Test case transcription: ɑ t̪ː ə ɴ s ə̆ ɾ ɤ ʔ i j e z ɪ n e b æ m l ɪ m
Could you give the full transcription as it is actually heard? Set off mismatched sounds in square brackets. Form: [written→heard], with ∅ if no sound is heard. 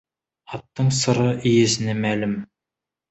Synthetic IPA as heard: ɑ t̪ː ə ɴ s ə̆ ɾ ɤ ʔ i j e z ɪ n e [b→m] æ [m→∅] l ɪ m